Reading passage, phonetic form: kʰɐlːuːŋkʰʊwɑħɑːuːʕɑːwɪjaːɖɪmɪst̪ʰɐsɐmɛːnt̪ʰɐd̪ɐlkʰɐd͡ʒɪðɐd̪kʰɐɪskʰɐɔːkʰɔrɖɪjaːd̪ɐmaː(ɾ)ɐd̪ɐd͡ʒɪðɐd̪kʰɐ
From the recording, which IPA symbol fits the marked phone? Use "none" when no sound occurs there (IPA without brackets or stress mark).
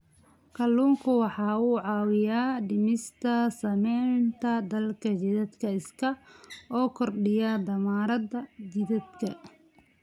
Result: ɾ